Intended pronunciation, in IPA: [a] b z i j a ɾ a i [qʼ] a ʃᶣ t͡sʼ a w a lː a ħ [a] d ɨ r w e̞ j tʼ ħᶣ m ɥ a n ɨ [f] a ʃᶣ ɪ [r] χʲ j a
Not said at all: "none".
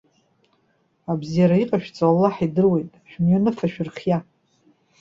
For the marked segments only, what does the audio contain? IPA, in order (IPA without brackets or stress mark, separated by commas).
a, qʼ, i, f, r